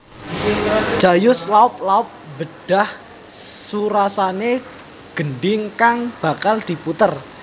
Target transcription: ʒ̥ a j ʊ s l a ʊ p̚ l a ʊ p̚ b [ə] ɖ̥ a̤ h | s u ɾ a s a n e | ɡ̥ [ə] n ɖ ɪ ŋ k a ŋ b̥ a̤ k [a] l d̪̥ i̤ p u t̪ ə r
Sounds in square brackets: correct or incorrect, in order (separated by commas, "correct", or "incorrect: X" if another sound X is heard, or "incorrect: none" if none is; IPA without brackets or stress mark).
correct, correct, correct